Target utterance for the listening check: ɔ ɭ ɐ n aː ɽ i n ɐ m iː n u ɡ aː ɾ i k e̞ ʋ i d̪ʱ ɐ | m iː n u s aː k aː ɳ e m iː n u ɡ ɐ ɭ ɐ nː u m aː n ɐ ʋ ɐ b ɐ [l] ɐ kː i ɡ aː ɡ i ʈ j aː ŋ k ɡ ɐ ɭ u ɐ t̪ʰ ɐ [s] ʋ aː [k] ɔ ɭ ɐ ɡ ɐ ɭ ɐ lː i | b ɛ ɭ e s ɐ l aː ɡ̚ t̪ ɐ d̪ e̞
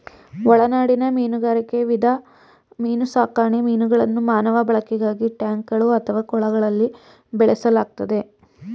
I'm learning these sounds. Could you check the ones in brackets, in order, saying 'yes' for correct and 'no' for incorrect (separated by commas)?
no, no, yes